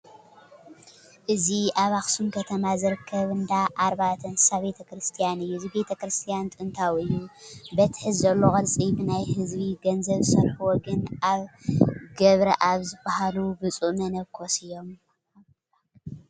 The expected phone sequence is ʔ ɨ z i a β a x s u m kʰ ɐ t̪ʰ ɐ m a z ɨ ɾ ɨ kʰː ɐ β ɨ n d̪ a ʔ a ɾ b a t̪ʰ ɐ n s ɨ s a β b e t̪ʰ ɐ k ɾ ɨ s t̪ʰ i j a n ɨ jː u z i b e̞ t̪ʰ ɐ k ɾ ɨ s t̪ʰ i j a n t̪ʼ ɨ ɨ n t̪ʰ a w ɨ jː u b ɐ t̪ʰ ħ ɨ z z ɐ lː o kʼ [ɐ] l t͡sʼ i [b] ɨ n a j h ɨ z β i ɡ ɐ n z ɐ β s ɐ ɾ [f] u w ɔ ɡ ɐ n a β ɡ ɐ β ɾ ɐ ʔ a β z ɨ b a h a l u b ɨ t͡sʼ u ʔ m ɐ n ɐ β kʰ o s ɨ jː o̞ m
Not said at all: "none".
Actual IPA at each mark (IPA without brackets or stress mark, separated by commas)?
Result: ɐ, b, ħ